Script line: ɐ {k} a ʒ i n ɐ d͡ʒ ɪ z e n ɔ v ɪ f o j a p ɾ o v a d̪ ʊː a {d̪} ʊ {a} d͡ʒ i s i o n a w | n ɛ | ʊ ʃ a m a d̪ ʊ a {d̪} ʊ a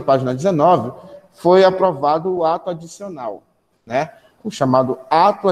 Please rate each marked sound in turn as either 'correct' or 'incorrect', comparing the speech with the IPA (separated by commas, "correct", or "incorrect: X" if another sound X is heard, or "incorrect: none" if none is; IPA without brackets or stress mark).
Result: incorrect: p, incorrect: t̪, correct, incorrect: t̪